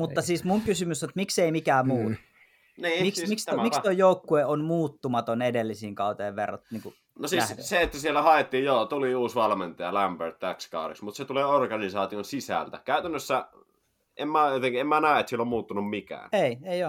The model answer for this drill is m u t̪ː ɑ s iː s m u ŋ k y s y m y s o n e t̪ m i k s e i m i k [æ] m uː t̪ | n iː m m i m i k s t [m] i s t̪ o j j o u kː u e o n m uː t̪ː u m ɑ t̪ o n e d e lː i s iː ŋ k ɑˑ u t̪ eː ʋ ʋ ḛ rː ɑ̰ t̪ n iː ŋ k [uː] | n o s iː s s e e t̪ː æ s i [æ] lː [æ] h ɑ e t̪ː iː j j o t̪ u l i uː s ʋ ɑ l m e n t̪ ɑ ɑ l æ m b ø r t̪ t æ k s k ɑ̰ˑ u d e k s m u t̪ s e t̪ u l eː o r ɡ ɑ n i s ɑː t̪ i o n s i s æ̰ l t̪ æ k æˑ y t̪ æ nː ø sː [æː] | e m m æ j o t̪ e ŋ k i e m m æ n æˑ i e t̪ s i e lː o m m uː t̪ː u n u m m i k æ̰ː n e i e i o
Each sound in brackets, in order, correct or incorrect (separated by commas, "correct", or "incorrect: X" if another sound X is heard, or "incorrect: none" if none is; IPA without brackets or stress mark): incorrect: æː, correct, incorrect: u, incorrect: e, correct, incorrect: æ